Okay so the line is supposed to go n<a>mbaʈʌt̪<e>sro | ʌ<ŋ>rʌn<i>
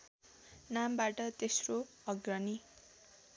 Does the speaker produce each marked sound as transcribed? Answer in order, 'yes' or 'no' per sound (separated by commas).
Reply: yes, yes, no, yes